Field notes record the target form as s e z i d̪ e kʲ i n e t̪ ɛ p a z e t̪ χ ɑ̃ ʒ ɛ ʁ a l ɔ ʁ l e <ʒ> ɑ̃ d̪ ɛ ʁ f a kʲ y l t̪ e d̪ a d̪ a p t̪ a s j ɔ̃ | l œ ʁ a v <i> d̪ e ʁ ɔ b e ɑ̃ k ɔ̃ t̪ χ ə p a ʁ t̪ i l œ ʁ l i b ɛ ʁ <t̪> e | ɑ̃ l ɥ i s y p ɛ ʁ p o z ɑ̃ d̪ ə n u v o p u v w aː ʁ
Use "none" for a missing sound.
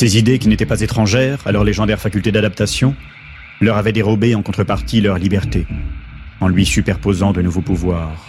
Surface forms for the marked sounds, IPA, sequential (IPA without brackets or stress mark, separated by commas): ʒ, ɛ, t̪